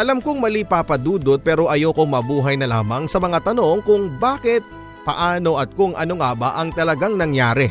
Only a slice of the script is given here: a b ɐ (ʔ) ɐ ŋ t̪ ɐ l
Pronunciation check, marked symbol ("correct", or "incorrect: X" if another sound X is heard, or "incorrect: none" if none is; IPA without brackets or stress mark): correct